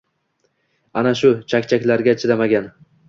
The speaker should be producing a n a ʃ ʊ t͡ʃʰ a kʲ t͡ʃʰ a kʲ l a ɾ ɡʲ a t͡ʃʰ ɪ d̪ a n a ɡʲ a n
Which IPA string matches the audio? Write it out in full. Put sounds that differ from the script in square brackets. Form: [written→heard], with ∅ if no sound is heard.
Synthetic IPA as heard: a n a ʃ ʊ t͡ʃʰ a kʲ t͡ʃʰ a kʲ l a ɾ ɡʲ a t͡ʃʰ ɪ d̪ a [n→m] a ɡʲ a n